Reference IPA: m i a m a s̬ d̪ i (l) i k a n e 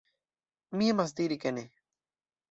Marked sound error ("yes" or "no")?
yes